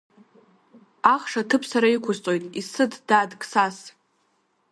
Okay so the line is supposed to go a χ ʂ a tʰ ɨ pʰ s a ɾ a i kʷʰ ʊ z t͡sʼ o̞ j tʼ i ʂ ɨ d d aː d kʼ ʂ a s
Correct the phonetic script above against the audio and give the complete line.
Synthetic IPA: a χ ʂ a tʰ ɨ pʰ s a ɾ a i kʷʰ ʊ z t͡sʼ o̞ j tʼ i s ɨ d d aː d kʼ s a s